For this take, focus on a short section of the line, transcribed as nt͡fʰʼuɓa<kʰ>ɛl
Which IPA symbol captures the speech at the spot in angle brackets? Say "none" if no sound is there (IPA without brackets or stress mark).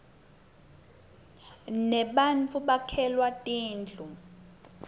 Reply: kʰ